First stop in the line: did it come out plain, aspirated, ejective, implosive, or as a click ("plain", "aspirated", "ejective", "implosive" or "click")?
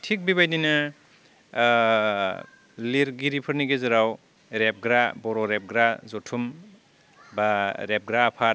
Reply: aspirated